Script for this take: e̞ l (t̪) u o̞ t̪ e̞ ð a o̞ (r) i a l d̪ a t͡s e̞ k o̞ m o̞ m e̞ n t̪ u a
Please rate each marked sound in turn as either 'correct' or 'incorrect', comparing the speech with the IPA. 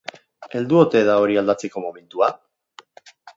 incorrect, incorrect

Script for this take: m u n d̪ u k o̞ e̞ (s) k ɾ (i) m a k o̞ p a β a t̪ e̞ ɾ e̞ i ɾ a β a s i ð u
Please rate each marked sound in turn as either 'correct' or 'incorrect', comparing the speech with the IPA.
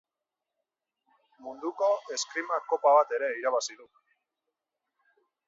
correct, correct

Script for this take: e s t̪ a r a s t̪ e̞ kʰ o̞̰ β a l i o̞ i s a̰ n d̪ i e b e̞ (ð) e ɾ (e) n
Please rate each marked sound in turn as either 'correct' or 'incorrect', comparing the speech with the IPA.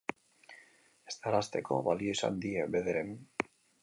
correct, correct

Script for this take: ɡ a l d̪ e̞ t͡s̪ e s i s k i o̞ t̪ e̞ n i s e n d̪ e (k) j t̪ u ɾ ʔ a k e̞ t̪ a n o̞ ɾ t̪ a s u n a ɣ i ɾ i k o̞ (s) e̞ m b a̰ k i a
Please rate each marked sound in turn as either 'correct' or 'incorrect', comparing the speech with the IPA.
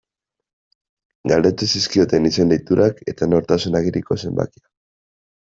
incorrect, correct

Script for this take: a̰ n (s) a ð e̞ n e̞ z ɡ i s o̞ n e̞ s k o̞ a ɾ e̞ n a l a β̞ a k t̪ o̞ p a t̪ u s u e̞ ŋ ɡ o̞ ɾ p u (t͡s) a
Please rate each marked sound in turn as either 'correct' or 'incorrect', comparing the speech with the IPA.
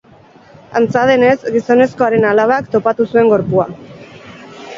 incorrect, incorrect

